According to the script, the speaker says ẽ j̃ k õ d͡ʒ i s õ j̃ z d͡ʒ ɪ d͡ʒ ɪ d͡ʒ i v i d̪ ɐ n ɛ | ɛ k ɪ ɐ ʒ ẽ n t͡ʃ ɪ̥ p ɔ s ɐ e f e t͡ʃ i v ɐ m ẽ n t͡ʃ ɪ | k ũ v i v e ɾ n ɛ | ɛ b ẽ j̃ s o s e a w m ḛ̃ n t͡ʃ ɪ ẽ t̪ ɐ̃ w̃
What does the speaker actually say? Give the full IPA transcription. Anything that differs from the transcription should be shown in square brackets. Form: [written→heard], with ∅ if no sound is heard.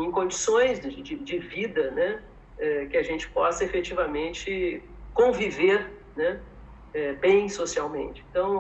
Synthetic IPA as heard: ẽ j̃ k õ d͡ʒ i s õ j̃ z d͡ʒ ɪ d͡ʒ ɪ d͡ʒ [i→ɪ] v i d̪ ɐ n ɛ | ɛ k ɪ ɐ ʒ ẽ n t͡ʃ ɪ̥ p ɔ s ɐ e f e t͡ʃ i v ɐ m ẽ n t͡ʃ ɪ | k [ũ→õ] v i v e ɾ n ɛ | ɛ b ẽ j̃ s o s [e→i] a w m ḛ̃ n t͡ʃ ɪ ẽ t̪ ɐ̃ w̃

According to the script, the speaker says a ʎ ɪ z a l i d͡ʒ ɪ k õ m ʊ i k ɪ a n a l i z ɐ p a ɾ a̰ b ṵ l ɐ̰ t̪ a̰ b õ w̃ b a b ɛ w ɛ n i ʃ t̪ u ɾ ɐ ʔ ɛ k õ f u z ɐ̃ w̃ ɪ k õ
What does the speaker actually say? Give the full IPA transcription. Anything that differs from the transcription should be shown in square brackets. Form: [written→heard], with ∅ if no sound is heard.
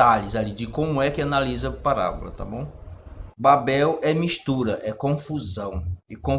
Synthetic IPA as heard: a ʎ ɪ z a l i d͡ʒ ɪ k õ m ʊ [i→ɛ] k ɪ a n a l i z ɐ p a ɾ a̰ b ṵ l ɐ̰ t̪ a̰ b õ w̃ b a b ɛ w ɛ [n→m] i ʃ t̪ u ɾ ɐ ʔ ɛ k õ f u z ɐ̃ w̃ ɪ k õ

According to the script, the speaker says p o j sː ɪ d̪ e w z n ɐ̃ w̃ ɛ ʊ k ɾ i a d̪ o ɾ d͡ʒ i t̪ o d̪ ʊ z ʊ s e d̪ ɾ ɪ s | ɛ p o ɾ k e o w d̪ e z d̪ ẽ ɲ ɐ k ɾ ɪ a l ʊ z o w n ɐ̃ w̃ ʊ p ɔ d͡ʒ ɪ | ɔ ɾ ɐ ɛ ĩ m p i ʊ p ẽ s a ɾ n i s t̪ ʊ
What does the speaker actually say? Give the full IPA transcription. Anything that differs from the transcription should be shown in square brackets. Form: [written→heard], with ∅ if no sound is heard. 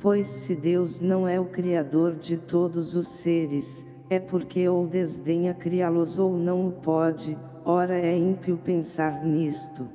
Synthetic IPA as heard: p o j sː ɪ d̪ e w z n ɐ̃ w̃ ɛ ʊ k ɾ i a d̪ o ɾ d͡ʒ [i→ɪ] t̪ o d̪ ʊ z ʊ s e [d̪→∅] ɾ ɪ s | ɛ p o ɾ k e o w d̪ e z d̪ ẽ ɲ ɐ k ɾ [ɪ→i] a l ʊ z o w n ɐ̃ w̃ ʊ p ɔ d͡ʒ ɪ | ɔ ɾ ɐ ɛ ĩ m p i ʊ p ẽ s a ɾ n i s t̪ ʊ

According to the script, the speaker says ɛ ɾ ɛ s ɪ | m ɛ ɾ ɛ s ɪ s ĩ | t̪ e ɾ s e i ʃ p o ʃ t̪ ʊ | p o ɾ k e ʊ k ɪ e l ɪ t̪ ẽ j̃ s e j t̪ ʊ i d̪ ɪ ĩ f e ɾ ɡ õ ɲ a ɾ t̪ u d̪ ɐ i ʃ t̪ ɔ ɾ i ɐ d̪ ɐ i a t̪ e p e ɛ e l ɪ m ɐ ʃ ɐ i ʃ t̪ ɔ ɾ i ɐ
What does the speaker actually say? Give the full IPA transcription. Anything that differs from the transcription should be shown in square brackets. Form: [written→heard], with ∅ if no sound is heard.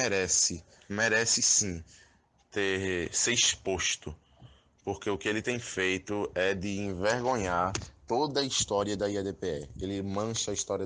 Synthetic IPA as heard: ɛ ɾ ɛ s ɪ | m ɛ ɾ ɛ s ɪ s ĩ | t̪ e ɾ s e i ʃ p o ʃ t̪ ʊ | p o ɾ k e ʊ k ɪ e l ɪ t̪ ẽ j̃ [s→f] e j t̪ ʊ [i→ɛ] d̪ ɪ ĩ [f→v] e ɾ ɡ õ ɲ a ɾ t̪ [u→o] d̪ ɐ i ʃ t̪ ɔ ɾ i ɐ d̪ ɐ i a [t̪→d̪] e p e ɛ e l ɪ m [ɐ→ɐ̃] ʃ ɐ i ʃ t̪ ɔ ɾ i ɐ

